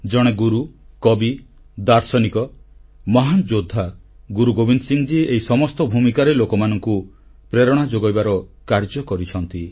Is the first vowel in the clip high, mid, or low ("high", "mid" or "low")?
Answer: mid